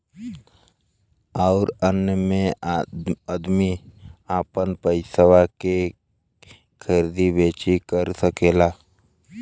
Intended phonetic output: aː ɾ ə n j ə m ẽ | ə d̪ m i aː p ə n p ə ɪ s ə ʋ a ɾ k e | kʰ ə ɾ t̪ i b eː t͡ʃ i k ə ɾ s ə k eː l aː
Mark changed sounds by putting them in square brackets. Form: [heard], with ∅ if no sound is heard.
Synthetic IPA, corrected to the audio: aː ɾ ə n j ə m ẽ | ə d̪ m i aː p ə n p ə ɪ s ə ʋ a [∅] k e | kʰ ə ɾ [d̪] i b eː t͡ʃ i k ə ɾ s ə k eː l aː